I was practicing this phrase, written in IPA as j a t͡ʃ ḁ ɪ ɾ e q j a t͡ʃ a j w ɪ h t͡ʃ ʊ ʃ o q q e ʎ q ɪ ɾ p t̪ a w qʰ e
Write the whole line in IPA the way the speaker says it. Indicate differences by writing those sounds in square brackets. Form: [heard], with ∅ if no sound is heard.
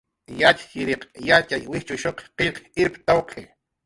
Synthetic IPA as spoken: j a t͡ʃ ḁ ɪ ɾ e q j a t͡ʃ a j w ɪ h t͡ʃ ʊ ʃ o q q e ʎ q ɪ ɾ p t̪ a w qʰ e